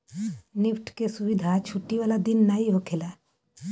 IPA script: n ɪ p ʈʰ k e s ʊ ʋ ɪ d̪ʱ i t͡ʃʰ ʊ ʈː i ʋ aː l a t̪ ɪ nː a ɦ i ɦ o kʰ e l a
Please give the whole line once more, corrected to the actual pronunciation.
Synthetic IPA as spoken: n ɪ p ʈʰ k e s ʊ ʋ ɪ d̪ʱ a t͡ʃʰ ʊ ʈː i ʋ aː l a d̪ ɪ nː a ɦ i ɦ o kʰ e l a

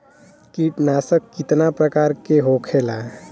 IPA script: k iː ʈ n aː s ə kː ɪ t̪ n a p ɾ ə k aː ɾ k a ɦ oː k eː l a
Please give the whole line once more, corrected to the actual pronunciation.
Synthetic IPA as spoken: k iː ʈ n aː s ə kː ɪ t̪ n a p ɾ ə k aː ɾ k e ɦ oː kʰ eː l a

